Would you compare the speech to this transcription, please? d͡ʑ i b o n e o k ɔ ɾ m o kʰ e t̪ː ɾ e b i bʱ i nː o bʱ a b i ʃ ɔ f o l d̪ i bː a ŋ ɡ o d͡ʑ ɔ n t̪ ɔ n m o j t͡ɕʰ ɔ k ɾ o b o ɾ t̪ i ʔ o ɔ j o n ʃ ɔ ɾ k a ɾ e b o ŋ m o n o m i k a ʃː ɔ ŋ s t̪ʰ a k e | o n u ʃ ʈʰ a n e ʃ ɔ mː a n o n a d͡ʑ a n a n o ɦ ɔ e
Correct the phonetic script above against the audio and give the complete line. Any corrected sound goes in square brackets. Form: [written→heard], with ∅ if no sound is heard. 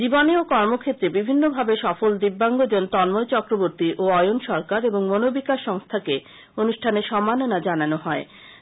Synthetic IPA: d͡ʑ i b o n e o k ɔ ɾ m o kʰ e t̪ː ɾ e b i bʱ i nː o bʱ a b [i→e] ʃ ɔ f o l d̪ i bː a ŋ ɡ o d͡ʑ [ɔ→o] n t̪ ɔ n m o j [t͡ɕʰ→t͡ɕ] ɔ k ɾ o b o ɾ t̪ i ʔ o ɔ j o n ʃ ɔ ɾ k a ɾ e b o ŋ m o n o [m→b] i k a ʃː ɔ ŋ s t̪ʰ a k e | o n u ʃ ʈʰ a n e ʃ ɔ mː a n o n a d͡ʑ a n a n o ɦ ɔ e